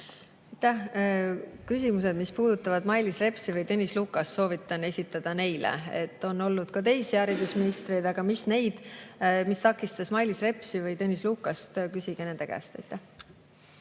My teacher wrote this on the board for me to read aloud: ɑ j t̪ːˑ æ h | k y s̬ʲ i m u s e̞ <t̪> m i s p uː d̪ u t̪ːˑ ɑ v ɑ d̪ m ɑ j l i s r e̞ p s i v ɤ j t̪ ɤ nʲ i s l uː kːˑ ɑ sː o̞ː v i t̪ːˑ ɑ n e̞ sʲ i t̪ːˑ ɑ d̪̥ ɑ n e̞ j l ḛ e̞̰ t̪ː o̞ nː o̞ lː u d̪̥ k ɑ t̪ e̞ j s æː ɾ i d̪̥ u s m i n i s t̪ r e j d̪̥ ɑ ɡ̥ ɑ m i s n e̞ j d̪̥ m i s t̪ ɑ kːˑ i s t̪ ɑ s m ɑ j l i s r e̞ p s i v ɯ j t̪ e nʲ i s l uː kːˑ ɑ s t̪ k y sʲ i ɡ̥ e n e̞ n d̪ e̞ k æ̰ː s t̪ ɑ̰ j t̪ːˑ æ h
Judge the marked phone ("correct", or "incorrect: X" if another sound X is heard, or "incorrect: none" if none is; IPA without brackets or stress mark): incorrect: d̪